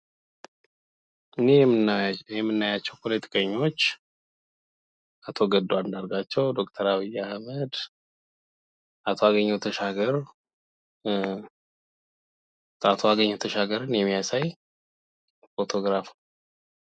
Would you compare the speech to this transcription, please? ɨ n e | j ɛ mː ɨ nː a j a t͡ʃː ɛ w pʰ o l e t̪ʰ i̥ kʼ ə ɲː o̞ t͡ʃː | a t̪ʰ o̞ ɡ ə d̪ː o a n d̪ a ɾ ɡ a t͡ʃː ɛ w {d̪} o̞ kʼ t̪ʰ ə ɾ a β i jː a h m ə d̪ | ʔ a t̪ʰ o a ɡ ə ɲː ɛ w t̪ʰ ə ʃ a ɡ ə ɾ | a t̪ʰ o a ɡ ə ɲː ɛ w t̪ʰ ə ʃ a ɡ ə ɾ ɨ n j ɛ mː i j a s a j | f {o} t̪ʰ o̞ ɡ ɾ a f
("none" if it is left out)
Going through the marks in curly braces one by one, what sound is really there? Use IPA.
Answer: d̪, o

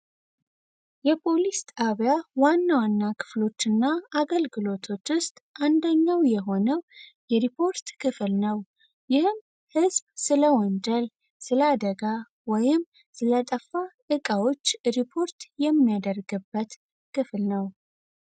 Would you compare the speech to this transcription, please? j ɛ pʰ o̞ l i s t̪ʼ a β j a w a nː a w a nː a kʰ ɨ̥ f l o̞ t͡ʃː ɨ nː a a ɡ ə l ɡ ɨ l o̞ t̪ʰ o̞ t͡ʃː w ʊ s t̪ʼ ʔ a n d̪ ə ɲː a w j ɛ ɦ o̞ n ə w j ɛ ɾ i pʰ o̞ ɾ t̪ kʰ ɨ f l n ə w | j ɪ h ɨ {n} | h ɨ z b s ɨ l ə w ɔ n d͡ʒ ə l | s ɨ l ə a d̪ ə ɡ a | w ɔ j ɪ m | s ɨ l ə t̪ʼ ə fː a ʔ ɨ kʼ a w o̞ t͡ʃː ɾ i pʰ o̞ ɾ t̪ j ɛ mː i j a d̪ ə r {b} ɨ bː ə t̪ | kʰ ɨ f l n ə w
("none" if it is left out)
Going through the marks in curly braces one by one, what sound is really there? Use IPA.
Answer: m, ɡ

